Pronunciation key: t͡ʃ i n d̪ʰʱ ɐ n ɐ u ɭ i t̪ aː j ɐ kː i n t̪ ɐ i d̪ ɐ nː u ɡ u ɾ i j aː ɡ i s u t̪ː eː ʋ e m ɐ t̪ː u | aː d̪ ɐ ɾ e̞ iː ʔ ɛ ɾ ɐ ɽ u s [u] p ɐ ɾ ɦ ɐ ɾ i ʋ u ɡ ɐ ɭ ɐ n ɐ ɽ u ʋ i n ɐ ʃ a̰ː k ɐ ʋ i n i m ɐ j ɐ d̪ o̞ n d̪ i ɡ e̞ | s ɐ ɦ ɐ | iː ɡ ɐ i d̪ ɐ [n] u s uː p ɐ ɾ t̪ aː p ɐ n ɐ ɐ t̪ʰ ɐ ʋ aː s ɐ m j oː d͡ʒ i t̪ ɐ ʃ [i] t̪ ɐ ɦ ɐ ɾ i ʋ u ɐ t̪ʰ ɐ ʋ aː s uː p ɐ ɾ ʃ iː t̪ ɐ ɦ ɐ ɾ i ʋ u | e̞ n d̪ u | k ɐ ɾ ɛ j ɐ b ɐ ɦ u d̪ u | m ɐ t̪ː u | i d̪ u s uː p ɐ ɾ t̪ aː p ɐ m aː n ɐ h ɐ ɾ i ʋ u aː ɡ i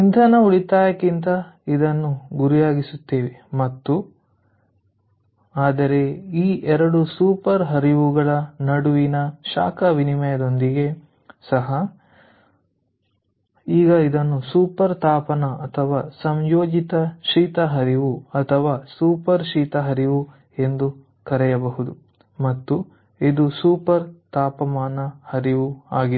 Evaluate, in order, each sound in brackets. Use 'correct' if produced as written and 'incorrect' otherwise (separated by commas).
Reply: incorrect, incorrect, incorrect